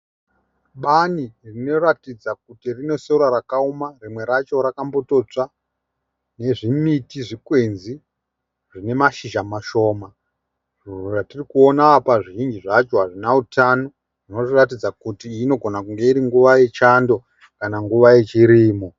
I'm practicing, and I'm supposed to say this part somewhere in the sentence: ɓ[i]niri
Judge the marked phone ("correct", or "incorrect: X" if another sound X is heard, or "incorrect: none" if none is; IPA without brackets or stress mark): incorrect: a